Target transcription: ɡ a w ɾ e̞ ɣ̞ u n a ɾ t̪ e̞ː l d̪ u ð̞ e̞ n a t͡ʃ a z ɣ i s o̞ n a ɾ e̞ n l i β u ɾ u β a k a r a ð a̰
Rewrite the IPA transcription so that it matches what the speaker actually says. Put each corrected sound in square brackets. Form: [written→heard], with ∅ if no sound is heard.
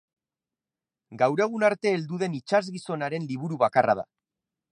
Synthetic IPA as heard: ɡ a w ɾ e̞ ɣ̞ u n a ɾ t̪ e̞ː l d̪ u ð̞ e̞ n [a→i] t͡ʃ a z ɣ i s o̞ n a ɾ e̞ n l i β u ɾ u β a k a r a ð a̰